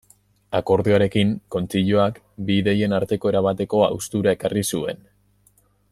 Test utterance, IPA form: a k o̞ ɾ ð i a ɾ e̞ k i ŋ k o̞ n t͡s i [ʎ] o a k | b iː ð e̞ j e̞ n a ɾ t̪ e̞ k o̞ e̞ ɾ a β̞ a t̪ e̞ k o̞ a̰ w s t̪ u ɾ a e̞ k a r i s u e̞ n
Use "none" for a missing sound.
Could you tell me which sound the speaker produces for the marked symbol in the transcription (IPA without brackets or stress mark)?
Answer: ʎ